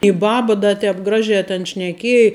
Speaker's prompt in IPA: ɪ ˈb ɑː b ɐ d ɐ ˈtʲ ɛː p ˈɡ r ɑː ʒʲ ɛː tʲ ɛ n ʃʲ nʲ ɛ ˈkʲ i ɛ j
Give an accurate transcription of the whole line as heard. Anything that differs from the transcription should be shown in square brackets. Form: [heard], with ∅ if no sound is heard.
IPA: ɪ ˈb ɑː b ɐ d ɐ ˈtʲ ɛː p ˈɡ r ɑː ʒʲ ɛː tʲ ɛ n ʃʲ nʲ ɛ ˈkʲ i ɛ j